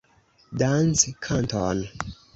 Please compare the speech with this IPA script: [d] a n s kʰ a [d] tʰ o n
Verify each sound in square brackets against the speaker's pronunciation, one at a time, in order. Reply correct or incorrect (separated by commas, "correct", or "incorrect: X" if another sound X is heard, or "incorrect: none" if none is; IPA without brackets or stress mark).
correct, incorrect: n